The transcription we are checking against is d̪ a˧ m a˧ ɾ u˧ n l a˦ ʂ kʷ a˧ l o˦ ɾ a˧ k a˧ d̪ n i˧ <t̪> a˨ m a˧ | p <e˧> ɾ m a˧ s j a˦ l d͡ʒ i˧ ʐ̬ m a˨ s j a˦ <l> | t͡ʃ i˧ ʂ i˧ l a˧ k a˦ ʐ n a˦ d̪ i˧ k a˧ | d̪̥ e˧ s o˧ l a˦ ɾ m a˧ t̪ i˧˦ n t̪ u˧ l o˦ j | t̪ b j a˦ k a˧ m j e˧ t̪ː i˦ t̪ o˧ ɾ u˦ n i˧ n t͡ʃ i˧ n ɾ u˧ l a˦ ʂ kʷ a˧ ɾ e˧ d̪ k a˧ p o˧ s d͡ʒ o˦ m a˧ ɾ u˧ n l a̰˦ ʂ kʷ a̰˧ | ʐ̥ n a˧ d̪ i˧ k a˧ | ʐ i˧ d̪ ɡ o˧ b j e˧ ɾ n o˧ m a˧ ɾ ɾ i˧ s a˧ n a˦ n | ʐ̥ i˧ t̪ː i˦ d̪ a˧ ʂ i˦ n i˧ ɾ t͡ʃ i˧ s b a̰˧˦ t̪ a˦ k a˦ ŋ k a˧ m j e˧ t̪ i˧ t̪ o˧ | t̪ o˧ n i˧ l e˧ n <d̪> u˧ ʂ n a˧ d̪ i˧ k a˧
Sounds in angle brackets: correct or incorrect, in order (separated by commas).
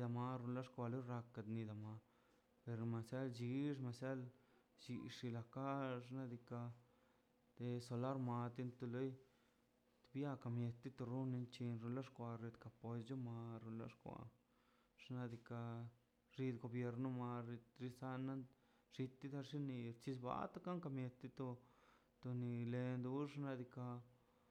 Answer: incorrect, correct, correct, correct